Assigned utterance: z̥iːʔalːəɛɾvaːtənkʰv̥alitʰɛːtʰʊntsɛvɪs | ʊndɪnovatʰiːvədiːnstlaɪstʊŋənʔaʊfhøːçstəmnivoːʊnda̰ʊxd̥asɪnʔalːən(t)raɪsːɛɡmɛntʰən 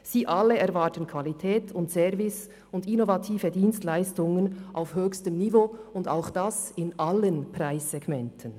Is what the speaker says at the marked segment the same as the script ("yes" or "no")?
no